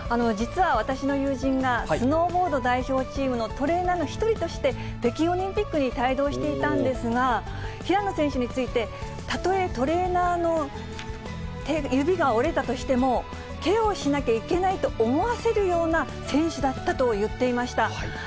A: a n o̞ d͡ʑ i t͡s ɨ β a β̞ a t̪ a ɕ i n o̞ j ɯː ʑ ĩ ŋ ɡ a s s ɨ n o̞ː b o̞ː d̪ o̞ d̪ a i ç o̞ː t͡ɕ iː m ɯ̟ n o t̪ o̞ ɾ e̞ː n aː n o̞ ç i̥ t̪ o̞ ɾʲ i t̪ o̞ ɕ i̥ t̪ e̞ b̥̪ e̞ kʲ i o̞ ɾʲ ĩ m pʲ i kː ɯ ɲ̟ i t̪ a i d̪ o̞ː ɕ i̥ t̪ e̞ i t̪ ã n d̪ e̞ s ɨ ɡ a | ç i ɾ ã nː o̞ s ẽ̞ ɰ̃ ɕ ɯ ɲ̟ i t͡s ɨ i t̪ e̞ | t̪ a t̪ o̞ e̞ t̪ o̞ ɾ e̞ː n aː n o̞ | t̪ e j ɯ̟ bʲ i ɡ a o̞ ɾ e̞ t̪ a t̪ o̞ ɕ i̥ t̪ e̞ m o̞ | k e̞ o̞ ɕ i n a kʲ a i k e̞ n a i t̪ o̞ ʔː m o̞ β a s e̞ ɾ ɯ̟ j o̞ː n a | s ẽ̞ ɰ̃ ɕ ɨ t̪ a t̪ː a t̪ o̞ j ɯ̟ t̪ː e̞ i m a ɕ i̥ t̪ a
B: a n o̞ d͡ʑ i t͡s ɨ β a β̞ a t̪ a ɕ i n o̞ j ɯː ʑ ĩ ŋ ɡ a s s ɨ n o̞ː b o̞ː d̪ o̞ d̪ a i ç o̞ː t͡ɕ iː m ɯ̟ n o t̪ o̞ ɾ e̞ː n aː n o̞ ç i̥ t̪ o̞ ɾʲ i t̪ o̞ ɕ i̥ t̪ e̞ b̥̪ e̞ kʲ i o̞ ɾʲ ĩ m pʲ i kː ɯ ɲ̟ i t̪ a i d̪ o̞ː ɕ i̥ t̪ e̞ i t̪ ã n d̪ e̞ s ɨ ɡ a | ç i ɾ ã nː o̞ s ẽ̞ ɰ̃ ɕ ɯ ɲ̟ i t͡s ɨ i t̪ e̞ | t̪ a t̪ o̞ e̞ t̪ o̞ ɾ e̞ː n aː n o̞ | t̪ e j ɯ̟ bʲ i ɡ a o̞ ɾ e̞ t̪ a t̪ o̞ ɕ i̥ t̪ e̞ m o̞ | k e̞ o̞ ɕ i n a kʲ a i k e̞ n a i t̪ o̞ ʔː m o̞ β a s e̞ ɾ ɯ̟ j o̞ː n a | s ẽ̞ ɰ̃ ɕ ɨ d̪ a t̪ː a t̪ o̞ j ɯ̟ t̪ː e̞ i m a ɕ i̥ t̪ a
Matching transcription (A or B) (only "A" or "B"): B